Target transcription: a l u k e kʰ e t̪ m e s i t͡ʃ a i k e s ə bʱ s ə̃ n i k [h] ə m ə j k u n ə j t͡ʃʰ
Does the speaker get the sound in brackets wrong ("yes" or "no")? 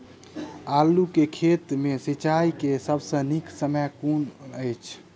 yes